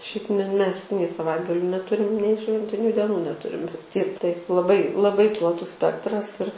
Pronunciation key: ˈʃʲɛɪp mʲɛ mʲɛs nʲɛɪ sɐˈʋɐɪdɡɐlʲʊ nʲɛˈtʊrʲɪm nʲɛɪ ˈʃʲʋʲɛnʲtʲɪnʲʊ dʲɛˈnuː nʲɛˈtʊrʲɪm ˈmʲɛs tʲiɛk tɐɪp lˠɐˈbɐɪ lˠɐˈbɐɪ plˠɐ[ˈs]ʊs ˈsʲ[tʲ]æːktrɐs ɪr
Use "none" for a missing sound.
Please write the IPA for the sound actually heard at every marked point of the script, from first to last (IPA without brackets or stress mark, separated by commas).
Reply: t, pʲ